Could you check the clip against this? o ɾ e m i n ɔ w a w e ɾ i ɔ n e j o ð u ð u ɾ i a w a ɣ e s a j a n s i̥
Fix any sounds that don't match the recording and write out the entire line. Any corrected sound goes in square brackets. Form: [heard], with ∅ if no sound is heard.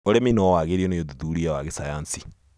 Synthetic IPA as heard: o ɾ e m i n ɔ w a [ɣ] e ɾ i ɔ n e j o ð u ð u ɾ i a w a ɣ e s a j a n s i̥

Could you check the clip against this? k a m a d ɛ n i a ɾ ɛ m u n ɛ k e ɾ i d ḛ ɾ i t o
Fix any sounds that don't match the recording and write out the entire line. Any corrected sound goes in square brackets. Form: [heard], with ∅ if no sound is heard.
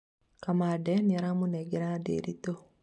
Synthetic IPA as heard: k a m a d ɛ n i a ɾ [a] m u n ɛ [ɡ] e ɾ [a] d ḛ ɾ i t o

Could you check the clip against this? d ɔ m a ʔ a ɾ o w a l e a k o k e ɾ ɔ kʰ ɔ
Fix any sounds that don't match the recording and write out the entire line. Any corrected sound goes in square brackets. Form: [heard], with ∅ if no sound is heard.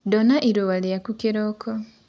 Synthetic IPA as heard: d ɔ [n] a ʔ [i] ɾ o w a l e a k [u] k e ɾ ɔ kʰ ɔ

